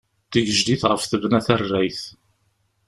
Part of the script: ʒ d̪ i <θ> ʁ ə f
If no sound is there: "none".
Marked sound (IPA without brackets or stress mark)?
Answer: θ